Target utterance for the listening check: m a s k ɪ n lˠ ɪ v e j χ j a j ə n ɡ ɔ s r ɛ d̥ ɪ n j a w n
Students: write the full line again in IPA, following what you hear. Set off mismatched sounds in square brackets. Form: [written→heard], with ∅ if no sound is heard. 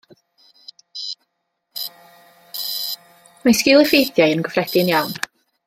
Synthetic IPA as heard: m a s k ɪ [n→∅] lˠ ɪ [v→f] e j [χ→θ] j a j ə n ɡ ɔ [s→f] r ɛ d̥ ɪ n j a w n